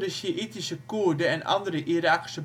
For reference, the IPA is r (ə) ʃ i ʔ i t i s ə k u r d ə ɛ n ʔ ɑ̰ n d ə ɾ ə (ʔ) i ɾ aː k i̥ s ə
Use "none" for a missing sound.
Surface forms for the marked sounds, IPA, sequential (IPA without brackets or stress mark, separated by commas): ə, ʔ